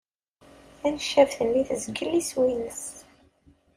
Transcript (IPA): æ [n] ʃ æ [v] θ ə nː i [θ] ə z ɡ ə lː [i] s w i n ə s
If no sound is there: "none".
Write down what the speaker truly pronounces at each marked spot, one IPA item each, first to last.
n, v, θ, i

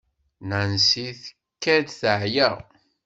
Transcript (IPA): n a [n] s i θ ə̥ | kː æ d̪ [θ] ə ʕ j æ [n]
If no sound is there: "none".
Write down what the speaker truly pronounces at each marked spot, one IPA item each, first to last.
n, θ, none

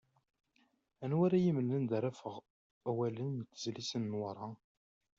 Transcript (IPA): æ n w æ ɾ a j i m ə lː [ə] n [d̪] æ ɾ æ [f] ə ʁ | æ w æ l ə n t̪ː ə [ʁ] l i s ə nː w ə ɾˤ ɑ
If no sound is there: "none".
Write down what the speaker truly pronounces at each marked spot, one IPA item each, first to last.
ə, d̪, f, z

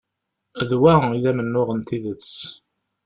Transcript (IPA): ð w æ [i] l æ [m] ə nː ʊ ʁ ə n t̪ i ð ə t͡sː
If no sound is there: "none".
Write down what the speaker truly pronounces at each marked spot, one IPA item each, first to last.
i, m

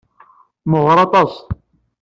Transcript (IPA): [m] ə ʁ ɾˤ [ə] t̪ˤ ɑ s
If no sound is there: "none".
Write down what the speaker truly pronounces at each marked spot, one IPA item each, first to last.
m, ɑ

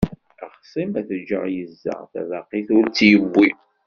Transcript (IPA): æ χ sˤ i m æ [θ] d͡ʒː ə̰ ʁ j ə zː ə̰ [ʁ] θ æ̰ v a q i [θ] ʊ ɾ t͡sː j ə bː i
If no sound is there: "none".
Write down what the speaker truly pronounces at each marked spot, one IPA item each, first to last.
θ, ʁ, θ

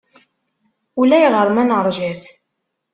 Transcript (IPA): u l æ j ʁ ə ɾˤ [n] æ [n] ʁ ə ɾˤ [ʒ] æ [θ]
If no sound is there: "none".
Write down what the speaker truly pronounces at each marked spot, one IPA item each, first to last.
m, n, ʒ, θ

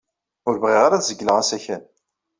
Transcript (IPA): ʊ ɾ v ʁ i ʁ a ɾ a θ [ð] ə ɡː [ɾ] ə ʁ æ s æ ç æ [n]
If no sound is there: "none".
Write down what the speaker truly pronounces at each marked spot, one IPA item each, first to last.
z, l, n

